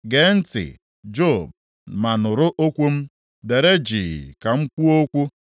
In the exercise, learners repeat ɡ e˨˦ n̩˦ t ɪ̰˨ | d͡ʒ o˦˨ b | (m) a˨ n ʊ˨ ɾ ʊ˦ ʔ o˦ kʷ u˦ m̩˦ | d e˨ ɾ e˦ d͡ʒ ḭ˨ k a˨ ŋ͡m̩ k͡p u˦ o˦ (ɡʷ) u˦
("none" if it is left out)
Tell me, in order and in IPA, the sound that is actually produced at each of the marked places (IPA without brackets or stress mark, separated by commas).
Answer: m, kʷ